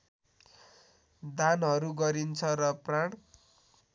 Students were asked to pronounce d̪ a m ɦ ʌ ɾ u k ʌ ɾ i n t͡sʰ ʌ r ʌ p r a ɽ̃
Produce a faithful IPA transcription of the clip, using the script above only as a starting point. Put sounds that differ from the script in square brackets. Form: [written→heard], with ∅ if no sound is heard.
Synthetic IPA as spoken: d̪ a [m→n] ɦ ʌ ɾ u [k→ɡ] ʌ ɾ i n t͡sʰ ʌ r ʌ p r a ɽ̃